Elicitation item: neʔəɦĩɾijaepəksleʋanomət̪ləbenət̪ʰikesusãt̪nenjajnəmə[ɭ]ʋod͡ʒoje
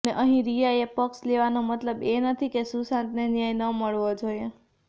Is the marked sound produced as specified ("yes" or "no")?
yes